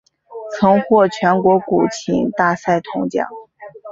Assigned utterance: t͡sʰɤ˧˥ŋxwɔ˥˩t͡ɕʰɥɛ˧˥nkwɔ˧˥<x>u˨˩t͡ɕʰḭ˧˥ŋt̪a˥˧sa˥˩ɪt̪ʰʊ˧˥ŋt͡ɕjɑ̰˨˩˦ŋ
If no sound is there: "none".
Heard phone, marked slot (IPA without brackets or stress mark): k